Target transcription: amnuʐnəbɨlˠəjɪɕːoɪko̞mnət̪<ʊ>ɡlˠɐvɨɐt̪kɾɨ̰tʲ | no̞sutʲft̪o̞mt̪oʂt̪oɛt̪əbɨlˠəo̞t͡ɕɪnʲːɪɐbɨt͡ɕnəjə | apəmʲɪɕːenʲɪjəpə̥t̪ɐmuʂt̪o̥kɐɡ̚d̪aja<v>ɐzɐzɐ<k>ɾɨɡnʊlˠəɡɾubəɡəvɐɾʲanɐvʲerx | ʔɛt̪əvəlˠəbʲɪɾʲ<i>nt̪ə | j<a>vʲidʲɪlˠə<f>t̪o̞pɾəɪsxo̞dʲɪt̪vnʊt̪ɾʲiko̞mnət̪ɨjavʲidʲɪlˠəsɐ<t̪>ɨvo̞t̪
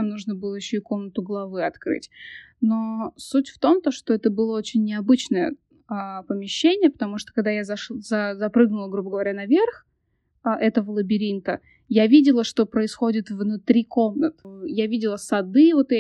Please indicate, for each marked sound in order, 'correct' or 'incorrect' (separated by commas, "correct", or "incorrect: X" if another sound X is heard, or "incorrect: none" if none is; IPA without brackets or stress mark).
correct, incorrect: z, incorrect: p, correct, correct, incorrect: ʂ, incorrect: d̪